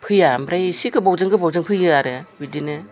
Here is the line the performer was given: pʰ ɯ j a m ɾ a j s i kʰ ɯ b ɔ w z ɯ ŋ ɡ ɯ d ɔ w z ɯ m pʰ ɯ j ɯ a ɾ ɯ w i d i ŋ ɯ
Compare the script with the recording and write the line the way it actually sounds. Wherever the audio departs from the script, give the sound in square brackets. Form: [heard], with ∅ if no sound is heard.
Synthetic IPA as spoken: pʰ ɯ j a m ɾ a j s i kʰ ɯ b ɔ w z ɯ ŋ ɡ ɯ [b] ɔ w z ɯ [ŋ] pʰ ɯ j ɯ a ɾ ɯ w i d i [n] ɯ